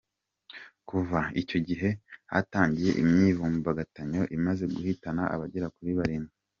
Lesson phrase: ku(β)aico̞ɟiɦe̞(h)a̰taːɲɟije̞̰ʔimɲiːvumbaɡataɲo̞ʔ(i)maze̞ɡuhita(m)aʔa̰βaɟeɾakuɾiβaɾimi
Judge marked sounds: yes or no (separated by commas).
no, yes, yes, no